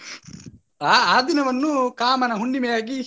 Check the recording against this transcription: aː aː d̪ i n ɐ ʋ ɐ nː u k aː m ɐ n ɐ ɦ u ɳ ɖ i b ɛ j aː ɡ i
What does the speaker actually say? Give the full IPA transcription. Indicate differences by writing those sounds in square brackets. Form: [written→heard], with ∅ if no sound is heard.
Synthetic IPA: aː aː d̪ i n ɐ ʋ ɐ nː u k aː m ɐ n ɐ ɦ u ɳ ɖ i [b→m] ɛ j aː ɡ i

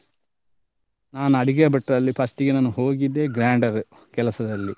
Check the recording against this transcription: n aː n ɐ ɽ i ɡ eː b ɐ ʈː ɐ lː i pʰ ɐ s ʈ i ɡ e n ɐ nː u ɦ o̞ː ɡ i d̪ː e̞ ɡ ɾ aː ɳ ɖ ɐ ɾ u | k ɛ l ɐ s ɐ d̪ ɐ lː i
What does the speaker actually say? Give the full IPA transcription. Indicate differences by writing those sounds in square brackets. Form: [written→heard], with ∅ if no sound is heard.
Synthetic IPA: n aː n ɐ ɽ i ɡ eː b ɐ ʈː ɐ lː i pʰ ɐ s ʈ i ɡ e n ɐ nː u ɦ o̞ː ɡ i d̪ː e̞ ɡ ɾ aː ɳ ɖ ɐ ɾ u | k ɛ l ɐ s ɐ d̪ ɐ lː i

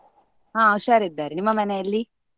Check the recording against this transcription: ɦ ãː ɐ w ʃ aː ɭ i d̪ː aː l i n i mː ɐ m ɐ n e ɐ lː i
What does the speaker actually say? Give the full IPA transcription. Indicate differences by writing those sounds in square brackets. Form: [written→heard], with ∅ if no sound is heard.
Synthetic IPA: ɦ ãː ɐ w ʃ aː [ɭ→ɾ] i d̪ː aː [l→ɾ] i n i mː ɐ m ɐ n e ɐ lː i

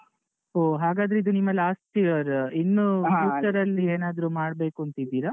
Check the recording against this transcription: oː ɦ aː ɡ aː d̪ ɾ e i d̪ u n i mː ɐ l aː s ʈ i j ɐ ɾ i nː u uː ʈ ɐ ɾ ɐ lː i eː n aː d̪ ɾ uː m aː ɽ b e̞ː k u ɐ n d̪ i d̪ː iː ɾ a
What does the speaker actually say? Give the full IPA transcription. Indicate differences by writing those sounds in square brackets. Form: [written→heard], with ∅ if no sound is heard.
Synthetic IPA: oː ɦ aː ɡ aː d̪ ɾ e i d̪ u n i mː ɐ l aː s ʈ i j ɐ ɾ i nː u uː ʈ ɐ ɾ ɐ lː i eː n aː d̪ ɾ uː m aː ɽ b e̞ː k u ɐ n [d̪→t̪] i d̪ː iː ɾ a

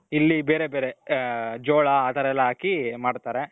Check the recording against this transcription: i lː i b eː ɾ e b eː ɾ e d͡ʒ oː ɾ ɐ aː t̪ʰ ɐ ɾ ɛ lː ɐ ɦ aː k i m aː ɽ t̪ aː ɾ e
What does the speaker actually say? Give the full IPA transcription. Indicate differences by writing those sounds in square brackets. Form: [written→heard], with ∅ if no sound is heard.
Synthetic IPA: i lː i b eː ɾ e b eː ɾ e d͡ʒ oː [ɾ→ɭ] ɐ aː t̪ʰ ɐ ɾ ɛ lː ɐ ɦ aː k i m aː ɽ t̪ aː ɾ e

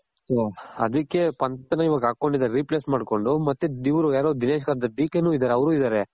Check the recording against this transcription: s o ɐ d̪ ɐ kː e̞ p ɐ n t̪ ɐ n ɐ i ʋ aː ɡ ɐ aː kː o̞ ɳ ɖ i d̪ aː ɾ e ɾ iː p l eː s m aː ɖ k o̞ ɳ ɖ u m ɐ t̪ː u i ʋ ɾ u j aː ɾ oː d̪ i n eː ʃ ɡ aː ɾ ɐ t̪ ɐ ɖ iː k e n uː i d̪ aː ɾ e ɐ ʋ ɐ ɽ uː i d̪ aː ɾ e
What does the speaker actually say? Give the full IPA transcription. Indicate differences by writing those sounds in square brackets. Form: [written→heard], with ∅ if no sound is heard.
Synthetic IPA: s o ɐ d̪ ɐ kː e̞ p ɐ n t̪ ɐ n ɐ i ʋ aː ɡ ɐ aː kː o̞ ɳ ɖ i d̪ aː ɾ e ɾ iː p l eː s m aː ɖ k o̞ ɳ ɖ u m ɐ t̪ː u i ʋ ɾ u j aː ɾ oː d̪ i n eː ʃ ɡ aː ɾ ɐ [t̪→d̪] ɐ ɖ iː k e n uː i d̪ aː ɾ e ɐ ʋ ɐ [ɽ→ɾ] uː i d̪ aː ɾ e

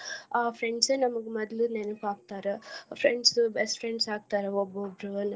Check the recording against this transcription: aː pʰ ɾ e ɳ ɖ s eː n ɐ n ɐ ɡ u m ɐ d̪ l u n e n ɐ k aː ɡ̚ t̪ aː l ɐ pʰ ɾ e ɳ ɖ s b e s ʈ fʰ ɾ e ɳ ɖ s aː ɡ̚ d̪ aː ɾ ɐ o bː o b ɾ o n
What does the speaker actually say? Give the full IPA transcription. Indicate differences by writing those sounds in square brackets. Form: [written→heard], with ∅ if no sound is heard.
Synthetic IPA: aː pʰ ɾ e ɳ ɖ s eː n ɐ [n→m] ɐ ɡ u m ɐ d̪ l u n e n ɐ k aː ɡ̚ t̪ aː [l→ɾ] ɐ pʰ ɾ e ɳ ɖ s b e s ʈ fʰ ɾ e ɳ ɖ s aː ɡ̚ [d̪→t̪] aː ɾ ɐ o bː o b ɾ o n

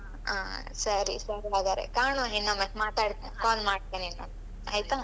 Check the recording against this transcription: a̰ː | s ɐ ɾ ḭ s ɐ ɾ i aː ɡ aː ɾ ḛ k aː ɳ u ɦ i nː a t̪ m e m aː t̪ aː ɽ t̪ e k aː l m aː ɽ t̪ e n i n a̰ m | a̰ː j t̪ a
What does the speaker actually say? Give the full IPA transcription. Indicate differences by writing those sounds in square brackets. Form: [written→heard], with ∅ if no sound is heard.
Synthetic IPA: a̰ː | s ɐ ɾ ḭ s ɐ ɾ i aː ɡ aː ɾ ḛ k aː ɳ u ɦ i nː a [t̪→∅] m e m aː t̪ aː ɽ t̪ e k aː l m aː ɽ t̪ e n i n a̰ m | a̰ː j t̪ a

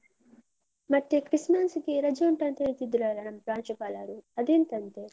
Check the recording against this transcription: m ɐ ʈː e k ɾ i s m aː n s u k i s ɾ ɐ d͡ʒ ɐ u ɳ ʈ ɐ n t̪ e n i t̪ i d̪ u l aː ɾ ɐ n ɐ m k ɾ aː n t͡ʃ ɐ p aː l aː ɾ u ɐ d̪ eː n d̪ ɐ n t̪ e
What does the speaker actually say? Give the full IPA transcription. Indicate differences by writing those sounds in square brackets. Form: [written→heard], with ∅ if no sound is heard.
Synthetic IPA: m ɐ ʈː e k ɾ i s m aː n s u k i [s→∅] ɾ ɐ d͡ʒ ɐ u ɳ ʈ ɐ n t̪ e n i t̪ i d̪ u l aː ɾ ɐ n ɐ m [k→p] ɾ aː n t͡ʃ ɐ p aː l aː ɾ u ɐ d̪ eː n [d̪→t̪] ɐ n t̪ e

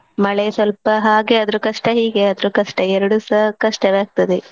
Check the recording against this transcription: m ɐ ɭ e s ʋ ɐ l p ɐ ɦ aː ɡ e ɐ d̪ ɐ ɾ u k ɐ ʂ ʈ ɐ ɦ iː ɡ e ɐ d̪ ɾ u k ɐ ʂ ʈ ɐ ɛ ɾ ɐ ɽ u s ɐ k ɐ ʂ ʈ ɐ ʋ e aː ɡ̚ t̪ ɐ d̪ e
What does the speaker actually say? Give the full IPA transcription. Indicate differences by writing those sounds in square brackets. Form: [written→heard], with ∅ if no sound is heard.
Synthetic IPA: m ɐ ɭ e s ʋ ɐ l p ɐ ɦ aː ɡ e ɐ d̪ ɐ ɾ u k ɐ ʂ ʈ ɐ ɦ iː ɡ e ɐ d̪ ɾ u k ɐ ʂ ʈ ɐ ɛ ɾ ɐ ɽ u s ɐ k ɐ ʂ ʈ ɐ ʋ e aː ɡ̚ t̪ ɐ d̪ e

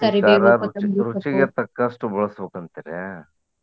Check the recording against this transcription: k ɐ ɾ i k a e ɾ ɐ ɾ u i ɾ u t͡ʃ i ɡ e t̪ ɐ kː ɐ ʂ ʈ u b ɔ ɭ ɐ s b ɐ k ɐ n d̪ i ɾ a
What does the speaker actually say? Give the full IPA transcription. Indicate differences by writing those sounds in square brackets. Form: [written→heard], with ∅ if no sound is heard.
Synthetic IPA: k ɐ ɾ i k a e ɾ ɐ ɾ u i ɾ u t͡ʃ i ɡ e t̪ ɐ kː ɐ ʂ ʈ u b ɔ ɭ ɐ s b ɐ k ɐ n [d̪→t̪] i ɾ [a→e]

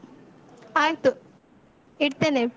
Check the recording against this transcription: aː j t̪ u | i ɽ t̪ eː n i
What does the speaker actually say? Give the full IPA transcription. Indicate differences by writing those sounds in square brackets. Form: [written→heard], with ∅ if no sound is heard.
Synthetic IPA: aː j t̪ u | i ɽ t̪ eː n [i→e]

